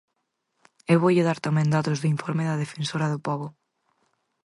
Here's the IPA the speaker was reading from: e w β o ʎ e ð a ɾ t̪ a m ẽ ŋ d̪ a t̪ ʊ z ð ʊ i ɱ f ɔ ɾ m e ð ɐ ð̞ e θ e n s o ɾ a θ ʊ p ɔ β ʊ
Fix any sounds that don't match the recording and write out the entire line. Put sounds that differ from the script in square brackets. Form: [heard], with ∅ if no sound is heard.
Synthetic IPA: e w β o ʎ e ð a ɾ t̪ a m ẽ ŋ d̪ a t̪ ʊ z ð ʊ i ɱ f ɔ ɾ m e ð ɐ ð̞ e [f] e n s o ɾ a [ð] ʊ p ɔ β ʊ